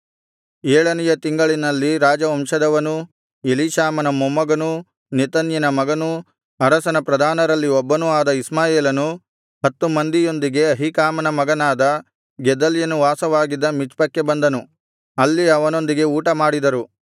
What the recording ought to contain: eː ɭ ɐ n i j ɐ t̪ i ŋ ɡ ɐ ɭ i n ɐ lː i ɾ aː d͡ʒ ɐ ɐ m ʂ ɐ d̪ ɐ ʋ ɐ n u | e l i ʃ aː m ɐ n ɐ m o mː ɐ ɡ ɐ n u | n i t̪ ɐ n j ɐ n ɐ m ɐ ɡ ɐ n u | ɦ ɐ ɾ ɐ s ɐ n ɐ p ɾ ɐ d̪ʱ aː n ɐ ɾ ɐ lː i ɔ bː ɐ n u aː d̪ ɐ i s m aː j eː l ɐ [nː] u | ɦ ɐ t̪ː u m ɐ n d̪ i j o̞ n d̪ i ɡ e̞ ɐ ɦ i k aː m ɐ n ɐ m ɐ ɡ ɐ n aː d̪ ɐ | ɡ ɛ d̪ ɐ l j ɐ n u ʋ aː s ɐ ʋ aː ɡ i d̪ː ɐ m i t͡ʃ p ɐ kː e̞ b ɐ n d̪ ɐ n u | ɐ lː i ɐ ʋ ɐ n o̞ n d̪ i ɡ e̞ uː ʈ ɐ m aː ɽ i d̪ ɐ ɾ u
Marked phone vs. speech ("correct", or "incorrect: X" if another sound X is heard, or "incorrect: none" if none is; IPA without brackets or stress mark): incorrect: n